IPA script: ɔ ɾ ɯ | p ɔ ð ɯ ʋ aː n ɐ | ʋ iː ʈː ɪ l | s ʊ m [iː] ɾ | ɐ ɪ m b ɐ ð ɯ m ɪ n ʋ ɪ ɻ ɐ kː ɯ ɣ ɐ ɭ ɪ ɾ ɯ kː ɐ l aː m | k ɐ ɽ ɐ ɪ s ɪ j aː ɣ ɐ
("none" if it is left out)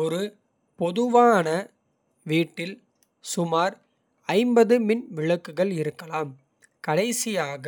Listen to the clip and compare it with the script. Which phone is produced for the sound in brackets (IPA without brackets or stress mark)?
aː